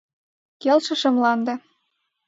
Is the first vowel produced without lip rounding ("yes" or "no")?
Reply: yes